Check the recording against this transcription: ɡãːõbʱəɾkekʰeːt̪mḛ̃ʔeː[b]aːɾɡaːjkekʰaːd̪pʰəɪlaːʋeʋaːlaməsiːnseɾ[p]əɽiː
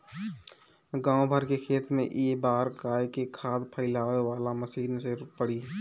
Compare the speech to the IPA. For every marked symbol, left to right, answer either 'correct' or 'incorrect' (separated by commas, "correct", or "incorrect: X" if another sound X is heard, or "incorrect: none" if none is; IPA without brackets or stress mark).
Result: correct, correct